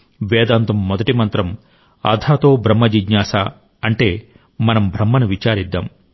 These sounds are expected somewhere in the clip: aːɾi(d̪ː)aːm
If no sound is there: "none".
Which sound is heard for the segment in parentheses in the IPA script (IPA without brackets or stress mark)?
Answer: d̪ː